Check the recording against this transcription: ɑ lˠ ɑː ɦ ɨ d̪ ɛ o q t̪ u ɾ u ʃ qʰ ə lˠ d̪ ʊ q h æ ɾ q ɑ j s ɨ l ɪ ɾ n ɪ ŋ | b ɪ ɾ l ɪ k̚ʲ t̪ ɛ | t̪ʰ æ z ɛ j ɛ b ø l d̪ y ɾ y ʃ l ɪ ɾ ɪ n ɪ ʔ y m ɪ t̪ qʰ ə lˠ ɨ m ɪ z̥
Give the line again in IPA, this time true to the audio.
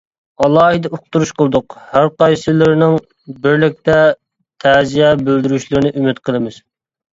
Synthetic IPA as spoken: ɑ lˠ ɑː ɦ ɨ d̪ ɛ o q t̪ u ɾ u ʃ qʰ ə lˠ d̪ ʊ q h æ ɾ q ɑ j s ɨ l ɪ ɾ n ɪ ŋ | b ɪ ɾ l ɪ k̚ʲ t̪ ɛ | t̪ʰ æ z i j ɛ b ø l d̪ y ɾ y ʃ l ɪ ɾ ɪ n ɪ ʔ y m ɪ t̪ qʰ ə lˠ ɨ m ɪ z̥